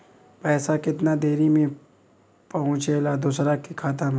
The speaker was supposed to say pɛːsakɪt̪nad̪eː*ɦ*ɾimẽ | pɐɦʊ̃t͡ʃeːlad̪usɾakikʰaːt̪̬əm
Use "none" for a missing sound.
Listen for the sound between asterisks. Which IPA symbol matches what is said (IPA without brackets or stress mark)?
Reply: none